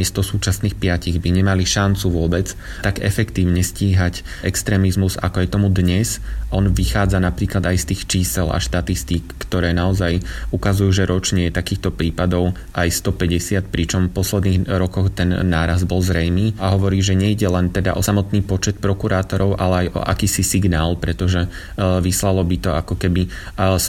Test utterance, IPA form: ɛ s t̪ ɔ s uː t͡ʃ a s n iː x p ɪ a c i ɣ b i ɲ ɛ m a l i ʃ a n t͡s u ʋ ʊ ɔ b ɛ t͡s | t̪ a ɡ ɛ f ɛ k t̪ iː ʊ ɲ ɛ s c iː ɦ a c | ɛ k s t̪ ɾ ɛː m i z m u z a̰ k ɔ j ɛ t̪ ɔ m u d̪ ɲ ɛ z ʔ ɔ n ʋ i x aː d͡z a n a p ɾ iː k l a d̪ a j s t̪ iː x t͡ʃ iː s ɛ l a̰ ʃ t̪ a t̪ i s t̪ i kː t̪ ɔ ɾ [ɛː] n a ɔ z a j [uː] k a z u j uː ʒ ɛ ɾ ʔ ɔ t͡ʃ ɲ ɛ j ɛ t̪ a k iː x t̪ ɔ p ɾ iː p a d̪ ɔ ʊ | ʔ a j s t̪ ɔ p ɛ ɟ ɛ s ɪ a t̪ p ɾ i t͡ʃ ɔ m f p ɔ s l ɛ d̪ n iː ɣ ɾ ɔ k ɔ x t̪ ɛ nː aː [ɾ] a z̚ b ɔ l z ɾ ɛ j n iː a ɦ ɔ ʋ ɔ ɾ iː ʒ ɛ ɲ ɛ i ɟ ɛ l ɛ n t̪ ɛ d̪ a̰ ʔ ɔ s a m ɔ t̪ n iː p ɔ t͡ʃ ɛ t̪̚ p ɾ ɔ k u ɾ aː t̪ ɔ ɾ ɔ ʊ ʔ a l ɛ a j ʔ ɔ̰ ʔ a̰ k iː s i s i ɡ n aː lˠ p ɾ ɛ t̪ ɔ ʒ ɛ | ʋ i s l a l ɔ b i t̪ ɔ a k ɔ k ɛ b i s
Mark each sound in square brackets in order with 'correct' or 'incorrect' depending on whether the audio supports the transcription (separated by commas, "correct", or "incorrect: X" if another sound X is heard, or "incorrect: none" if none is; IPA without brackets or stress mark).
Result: correct, incorrect: u, correct